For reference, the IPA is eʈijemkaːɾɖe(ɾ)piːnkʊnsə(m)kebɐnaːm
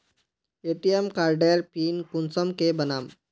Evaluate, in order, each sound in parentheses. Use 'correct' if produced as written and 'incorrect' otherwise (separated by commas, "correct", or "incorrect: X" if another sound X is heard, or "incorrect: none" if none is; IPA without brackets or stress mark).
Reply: correct, correct